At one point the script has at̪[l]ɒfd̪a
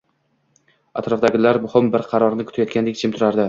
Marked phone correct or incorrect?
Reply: incorrect